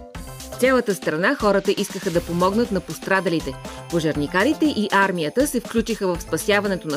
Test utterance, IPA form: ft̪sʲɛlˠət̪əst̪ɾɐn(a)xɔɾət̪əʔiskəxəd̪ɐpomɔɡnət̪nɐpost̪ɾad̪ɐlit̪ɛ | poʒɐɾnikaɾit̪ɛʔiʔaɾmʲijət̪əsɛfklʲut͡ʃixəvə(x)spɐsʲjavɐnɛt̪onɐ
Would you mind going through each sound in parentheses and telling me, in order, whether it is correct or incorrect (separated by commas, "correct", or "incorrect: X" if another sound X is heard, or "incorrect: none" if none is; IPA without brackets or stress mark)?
correct, incorrect: f